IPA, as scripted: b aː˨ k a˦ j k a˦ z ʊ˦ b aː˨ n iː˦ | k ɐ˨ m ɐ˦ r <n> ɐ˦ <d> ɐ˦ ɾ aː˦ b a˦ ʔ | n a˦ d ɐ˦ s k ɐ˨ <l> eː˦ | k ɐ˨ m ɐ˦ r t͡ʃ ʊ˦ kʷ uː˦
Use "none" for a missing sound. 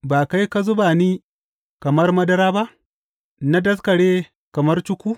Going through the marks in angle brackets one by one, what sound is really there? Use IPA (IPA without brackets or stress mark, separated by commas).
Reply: m, d, ɽ